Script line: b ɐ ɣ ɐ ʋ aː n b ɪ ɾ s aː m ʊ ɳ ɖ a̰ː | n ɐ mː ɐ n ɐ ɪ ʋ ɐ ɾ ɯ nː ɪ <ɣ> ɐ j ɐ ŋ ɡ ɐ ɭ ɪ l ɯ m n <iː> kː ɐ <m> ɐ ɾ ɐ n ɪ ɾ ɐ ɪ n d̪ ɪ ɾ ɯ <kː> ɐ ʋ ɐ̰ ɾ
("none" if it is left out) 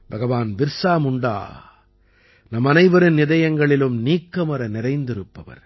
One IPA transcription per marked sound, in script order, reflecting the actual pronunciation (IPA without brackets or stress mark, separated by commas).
ð, iː, m, pː